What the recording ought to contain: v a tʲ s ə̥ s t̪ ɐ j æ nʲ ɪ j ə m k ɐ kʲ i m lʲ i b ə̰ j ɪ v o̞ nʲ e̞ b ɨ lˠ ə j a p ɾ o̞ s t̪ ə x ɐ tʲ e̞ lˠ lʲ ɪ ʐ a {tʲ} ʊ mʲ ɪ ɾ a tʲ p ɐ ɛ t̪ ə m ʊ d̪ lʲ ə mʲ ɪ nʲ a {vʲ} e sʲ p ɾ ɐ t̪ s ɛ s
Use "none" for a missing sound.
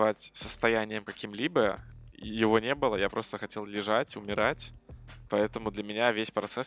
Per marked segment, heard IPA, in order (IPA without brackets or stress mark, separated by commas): tʲ, vʲ